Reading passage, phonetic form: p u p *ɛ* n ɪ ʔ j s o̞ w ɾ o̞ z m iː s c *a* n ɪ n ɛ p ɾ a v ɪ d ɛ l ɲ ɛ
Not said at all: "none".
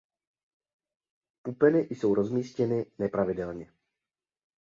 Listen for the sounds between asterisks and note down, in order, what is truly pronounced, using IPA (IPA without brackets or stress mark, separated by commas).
ɛ, ɛ